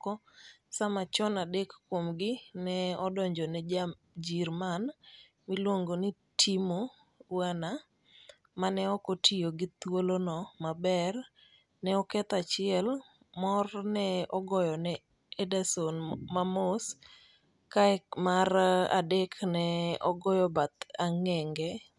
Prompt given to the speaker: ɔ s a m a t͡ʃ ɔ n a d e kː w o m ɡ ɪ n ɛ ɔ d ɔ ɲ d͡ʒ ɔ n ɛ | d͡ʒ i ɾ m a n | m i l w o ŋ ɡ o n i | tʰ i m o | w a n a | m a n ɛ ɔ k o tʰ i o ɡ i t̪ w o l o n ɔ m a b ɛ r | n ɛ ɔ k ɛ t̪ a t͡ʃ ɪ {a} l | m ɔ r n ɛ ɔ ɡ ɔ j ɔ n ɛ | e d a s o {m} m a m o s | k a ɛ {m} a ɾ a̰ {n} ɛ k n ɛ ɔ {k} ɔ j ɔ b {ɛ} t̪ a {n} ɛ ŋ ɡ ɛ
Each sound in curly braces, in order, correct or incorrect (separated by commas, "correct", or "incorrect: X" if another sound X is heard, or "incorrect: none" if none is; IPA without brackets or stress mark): incorrect: ɛ, incorrect: n, correct, incorrect: d, incorrect: ɡ, incorrect: a, incorrect: ŋ